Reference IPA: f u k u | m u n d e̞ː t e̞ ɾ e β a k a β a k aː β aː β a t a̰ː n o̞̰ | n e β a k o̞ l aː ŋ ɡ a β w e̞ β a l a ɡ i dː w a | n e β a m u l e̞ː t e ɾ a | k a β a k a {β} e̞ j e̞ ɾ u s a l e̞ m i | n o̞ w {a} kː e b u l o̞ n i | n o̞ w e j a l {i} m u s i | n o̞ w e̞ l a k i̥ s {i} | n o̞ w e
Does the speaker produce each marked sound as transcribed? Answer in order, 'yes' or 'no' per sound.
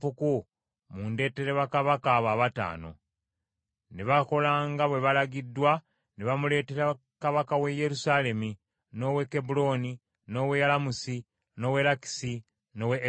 no, no, no, yes

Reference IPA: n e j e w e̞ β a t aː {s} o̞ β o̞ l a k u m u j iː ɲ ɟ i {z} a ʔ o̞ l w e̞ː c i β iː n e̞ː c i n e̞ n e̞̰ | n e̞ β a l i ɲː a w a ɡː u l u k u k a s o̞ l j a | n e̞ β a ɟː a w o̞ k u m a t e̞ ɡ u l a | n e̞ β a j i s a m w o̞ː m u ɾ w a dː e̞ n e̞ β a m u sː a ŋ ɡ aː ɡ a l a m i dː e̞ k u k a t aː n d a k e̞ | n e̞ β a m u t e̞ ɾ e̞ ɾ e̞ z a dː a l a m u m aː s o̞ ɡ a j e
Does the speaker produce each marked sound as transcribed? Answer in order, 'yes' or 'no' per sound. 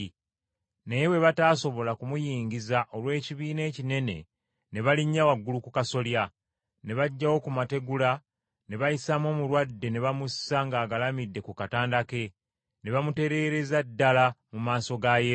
yes, yes

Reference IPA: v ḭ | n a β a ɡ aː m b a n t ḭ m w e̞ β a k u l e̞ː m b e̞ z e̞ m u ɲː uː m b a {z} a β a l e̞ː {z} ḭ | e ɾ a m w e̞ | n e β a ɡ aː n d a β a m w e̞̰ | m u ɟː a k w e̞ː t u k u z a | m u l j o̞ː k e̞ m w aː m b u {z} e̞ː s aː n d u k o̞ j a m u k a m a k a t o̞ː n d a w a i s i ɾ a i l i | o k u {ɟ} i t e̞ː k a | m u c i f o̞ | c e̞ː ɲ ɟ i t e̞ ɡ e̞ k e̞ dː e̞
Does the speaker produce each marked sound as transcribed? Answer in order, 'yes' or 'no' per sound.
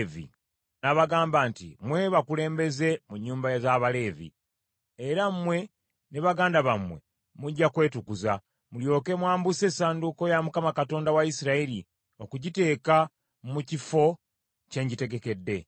yes, no, no, yes

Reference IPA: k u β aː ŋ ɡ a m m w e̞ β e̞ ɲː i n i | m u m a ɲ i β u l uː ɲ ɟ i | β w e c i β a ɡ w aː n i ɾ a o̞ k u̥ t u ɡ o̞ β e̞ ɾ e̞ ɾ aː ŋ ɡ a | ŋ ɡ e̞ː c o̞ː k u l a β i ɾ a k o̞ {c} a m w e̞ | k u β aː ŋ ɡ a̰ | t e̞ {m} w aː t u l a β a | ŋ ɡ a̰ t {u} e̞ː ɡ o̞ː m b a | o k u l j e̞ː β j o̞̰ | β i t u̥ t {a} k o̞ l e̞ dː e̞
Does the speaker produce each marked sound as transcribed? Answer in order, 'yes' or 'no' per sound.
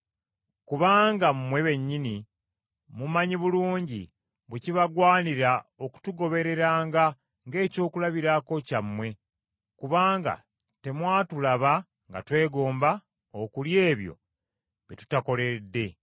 yes, yes, no, yes

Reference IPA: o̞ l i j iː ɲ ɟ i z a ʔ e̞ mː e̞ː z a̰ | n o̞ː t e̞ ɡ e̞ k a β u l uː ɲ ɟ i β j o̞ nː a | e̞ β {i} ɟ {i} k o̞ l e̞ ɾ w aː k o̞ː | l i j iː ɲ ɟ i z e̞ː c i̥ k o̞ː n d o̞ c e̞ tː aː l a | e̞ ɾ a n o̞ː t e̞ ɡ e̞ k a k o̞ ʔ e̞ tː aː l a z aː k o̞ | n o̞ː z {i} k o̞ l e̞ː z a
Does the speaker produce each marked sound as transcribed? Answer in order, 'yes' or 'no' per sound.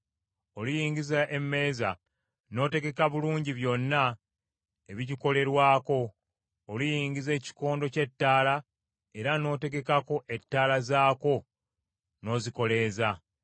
yes, yes, yes

